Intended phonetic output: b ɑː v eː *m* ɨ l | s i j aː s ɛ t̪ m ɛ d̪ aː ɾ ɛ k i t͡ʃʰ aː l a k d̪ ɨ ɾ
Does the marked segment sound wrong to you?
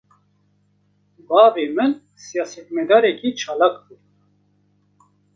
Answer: no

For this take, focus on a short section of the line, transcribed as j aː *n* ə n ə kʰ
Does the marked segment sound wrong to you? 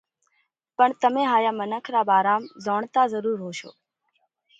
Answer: yes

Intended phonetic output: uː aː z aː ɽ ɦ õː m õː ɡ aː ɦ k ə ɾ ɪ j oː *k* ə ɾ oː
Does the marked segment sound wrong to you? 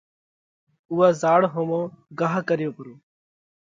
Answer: yes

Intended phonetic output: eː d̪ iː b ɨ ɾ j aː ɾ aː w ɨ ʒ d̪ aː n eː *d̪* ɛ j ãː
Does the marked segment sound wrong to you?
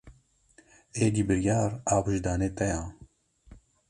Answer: yes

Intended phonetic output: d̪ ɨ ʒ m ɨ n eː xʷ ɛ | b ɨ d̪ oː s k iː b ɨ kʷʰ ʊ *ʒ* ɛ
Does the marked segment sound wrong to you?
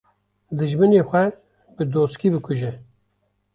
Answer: no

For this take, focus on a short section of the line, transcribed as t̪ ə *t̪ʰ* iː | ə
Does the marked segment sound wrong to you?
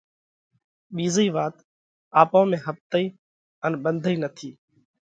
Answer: yes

